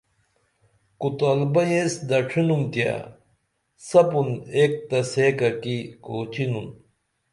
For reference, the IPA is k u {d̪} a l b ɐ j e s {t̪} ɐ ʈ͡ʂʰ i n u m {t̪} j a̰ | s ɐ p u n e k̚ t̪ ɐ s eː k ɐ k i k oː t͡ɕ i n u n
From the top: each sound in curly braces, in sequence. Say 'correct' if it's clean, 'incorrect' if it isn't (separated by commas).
incorrect, incorrect, correct